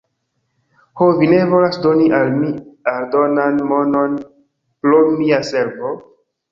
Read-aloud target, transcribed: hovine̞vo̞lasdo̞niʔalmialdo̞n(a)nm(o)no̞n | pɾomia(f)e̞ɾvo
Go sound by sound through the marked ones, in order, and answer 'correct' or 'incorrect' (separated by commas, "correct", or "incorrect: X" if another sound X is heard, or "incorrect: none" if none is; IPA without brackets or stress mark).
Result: correct, correct, incorrect: s